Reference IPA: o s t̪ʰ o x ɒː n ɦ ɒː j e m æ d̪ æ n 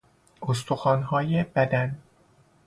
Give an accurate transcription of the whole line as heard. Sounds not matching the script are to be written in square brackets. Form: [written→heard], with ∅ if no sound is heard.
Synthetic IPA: o s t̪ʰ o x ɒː n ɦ ɒː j e [m→b] æ d̪ æ n